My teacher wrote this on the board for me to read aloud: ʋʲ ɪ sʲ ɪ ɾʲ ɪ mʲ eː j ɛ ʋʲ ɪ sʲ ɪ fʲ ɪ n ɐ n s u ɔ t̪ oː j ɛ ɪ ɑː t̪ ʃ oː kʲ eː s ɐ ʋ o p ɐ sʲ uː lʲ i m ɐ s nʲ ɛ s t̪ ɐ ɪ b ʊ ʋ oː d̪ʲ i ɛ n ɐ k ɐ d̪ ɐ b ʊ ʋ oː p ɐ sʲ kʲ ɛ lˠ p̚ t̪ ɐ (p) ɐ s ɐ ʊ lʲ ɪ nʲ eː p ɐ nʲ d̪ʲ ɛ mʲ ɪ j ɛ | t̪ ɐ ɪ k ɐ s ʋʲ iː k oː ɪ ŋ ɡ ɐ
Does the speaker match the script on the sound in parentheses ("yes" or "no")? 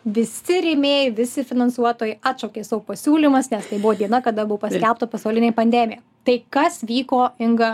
yes